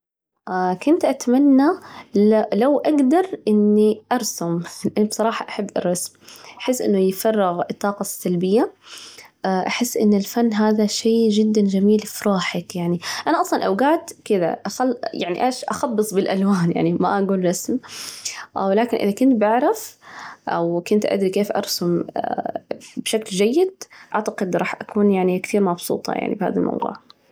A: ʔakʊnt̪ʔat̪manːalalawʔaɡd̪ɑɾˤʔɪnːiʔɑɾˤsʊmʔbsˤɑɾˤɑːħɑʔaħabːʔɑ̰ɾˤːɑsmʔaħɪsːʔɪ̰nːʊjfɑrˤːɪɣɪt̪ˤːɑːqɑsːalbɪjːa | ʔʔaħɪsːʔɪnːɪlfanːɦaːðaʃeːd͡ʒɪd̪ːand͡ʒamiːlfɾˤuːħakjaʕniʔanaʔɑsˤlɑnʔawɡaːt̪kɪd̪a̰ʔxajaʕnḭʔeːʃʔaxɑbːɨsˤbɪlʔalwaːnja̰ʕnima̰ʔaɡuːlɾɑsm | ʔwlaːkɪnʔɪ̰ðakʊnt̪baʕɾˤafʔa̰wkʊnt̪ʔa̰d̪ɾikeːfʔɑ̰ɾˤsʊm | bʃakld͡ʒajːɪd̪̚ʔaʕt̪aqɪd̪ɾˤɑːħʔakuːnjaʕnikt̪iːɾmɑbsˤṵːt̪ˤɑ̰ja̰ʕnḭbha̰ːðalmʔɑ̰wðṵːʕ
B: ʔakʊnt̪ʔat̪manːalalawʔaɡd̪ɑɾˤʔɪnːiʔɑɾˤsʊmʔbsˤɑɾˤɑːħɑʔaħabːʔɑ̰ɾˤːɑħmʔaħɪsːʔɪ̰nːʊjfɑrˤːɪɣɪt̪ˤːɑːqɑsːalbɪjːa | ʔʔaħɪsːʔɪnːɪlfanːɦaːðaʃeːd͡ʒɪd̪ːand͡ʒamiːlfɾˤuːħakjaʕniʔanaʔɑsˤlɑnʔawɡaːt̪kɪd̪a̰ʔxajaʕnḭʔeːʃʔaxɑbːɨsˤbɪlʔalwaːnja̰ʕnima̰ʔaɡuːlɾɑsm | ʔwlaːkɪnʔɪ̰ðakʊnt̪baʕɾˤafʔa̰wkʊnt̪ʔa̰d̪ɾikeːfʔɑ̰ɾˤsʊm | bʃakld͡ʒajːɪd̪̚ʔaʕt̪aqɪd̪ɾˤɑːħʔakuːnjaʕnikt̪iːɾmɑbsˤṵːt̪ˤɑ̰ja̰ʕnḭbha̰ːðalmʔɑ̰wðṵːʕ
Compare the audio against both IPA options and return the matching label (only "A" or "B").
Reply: A